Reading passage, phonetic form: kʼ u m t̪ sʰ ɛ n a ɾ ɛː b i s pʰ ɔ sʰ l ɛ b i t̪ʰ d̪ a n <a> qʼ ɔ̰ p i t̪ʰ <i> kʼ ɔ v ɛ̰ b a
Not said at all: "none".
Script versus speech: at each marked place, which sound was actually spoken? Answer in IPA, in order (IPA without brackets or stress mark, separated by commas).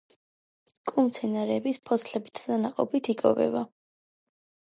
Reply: a, i